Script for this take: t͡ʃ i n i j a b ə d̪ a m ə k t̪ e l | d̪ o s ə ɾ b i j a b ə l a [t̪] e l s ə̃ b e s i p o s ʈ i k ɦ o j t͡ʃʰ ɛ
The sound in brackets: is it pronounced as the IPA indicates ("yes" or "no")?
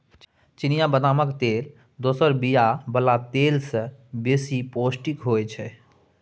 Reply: yes